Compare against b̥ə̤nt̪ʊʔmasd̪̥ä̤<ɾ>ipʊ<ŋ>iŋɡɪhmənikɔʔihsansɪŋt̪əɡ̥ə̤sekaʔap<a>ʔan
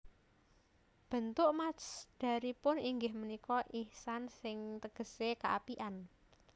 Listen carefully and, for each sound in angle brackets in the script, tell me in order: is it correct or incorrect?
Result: correct, incorrect: n, incorrect: i

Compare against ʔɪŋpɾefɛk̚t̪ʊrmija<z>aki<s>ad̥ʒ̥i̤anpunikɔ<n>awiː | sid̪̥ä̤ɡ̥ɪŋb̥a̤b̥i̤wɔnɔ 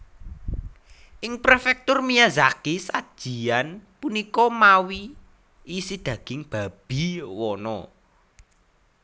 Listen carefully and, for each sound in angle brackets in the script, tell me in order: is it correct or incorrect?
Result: correct, correct, incorrect: m

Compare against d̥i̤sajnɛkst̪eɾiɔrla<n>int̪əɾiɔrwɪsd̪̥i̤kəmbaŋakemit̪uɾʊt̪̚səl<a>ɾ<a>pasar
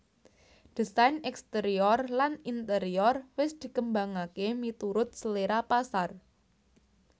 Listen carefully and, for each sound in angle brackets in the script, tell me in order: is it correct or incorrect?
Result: correct, incorrect: e, correct

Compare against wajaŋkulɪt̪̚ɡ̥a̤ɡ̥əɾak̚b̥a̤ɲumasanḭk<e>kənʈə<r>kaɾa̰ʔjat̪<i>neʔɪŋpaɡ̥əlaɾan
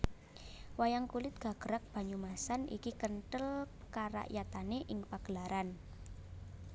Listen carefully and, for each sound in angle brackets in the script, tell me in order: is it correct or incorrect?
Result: incorrect: i, incorrect: l, incorrect: a

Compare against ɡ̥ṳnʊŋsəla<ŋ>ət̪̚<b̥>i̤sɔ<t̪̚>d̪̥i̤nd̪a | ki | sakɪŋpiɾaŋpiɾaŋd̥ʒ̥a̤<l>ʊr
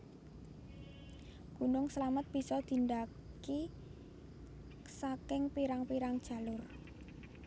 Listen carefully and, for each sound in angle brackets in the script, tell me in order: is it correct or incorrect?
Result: incorrect: m, correct, incorrect: none, correct

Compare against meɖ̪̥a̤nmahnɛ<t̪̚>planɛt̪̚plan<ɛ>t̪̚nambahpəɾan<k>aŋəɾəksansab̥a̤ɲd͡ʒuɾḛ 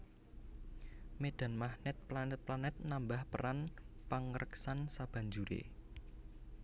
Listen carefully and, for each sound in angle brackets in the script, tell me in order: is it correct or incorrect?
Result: correct, correct, incorrect: p

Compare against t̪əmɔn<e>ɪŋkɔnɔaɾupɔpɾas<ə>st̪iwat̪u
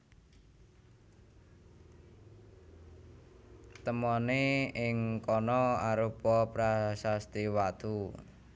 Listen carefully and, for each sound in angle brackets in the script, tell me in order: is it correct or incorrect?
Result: correct, incorrect: a

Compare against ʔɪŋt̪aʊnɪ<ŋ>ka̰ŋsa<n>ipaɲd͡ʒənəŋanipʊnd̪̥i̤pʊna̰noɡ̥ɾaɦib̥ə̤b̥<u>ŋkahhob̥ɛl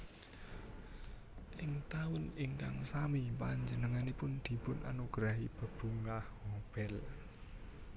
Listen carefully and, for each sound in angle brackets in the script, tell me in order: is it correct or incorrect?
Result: correct, incorrect: m, correct

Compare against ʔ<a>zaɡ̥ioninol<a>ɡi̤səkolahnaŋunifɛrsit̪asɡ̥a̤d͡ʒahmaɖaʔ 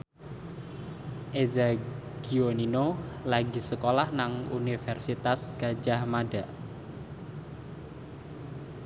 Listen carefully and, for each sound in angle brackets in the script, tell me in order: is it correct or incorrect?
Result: incorrect: e, correct

